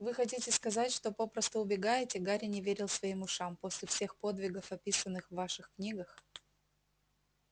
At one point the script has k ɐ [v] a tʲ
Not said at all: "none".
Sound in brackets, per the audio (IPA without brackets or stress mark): z